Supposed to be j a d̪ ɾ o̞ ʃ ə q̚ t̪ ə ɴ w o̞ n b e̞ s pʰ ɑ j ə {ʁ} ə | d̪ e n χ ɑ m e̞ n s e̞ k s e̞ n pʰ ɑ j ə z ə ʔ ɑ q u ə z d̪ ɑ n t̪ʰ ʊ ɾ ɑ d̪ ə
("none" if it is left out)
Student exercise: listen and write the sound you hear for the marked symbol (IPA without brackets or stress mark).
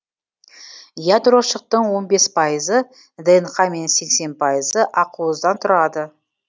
z